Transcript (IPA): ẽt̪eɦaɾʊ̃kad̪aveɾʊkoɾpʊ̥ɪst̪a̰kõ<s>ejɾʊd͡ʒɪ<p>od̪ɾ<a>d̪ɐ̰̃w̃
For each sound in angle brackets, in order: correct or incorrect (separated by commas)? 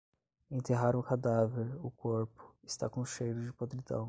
incorrect, correct, incorrect